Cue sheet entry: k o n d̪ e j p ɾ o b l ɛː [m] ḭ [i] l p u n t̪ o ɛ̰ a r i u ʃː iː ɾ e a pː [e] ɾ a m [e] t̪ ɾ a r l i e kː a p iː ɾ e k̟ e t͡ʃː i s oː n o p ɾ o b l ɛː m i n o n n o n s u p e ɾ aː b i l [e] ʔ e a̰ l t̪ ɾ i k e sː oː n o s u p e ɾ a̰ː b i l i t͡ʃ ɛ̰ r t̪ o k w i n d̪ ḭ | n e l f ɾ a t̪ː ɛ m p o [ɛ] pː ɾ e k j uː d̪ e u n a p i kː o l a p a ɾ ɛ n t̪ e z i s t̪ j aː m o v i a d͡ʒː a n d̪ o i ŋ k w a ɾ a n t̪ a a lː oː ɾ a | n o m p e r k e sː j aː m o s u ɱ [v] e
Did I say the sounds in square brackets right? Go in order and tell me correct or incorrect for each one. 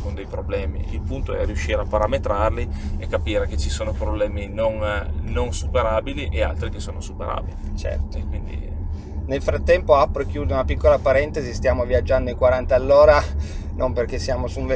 correct, correct, incorrect: a, correct, incorrect: i, incorrect: a, correct

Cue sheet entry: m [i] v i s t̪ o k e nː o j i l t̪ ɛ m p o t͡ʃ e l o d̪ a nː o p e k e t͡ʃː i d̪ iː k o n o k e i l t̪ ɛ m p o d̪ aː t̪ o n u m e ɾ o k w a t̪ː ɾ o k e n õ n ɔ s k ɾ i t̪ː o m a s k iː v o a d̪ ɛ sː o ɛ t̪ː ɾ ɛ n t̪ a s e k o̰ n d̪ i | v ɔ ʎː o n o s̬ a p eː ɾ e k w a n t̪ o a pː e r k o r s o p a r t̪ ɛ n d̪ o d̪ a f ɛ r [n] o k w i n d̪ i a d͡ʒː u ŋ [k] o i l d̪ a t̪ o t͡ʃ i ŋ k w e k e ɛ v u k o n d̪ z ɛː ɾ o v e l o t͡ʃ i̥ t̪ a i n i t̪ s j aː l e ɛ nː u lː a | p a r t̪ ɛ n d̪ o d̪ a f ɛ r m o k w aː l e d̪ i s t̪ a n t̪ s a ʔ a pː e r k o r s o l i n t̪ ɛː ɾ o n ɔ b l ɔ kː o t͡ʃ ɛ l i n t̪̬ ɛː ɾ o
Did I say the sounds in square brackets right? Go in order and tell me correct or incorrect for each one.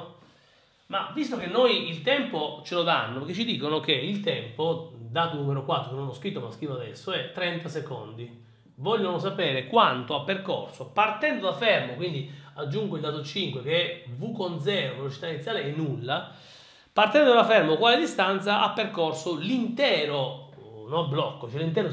incorrect: a, incorrect: m, incorrect: ɡ

